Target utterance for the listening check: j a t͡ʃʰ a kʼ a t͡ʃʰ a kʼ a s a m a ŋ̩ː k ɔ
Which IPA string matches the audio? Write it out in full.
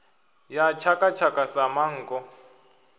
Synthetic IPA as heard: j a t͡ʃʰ a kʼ a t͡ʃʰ a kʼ a s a m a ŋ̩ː k ɔ